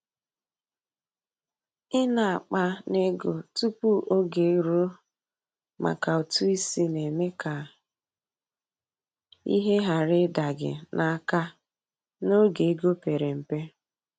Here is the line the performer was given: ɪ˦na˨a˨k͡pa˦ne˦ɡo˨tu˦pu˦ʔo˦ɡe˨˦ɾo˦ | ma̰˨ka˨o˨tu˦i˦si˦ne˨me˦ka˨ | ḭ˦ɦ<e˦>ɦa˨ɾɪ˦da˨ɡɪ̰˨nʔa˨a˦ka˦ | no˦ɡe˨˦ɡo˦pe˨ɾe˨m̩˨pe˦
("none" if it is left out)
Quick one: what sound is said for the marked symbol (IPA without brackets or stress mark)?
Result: e˦